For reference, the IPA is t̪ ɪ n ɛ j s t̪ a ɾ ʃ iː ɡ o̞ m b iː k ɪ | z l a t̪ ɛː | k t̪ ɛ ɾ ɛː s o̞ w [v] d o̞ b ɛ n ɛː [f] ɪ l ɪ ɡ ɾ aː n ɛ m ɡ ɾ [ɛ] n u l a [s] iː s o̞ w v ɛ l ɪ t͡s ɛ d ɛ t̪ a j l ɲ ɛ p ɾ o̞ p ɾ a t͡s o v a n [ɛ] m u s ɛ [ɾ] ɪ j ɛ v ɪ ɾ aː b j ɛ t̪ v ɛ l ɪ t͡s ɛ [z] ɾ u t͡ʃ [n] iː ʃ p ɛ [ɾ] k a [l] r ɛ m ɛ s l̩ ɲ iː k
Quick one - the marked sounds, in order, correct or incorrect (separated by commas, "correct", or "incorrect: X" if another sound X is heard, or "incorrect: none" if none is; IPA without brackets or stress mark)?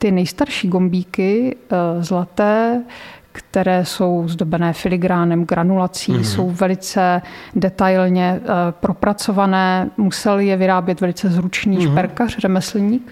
incorrect: z, correct, incorrect: a, incorrect: t͡s, incorrect: ɛː, incorrect: l, correct, correct, correct, incorrect: r